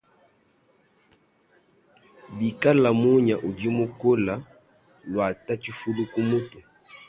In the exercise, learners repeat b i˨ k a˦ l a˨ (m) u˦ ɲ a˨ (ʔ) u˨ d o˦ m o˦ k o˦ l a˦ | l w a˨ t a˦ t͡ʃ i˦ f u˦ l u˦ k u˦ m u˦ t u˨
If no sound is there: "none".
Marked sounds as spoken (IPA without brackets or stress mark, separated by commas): m, ʔ